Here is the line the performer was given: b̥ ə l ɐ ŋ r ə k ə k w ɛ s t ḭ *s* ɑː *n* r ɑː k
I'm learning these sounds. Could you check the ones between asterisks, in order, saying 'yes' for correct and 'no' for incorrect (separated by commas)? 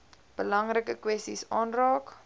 yes, yes